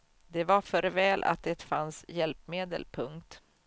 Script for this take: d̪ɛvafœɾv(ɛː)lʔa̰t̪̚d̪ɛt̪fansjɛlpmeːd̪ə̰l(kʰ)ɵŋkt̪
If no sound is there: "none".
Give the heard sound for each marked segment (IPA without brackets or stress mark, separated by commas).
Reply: ɛː, pʰ